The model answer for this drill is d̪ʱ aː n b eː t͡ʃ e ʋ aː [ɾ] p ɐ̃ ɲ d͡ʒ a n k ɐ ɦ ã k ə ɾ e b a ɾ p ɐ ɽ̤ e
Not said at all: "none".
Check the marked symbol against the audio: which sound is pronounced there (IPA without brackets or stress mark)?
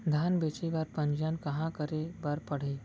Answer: ɾ